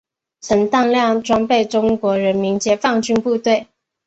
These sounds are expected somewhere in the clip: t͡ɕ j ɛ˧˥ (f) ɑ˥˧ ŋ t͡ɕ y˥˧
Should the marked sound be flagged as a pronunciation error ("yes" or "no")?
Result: no